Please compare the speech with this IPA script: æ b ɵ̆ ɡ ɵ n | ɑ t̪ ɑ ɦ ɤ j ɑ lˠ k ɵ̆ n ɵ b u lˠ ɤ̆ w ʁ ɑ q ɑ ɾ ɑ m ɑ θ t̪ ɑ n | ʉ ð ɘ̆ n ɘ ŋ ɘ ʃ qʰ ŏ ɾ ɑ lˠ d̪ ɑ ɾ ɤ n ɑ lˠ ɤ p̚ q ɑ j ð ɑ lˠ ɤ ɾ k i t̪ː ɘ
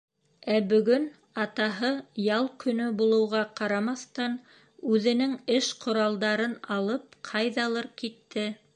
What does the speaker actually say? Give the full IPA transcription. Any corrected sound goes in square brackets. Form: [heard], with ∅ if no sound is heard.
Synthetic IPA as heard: æ b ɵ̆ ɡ ɵ n | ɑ t̪ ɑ ɦ ɤ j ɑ lˠ k ɵ̆ n ɵ b u lˠ ɤ̆ w ʁ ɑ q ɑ ɾ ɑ m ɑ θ t̪ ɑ n | ʉ ð ɘ̆ n ɘ ŋ ɘ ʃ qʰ ŏ ɾ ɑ lˠ d̪ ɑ ɾ ɤ n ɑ lˠ ɤ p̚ [qʰ] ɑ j ð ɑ lˠ ɤ ɾ k i t̪ː ɘ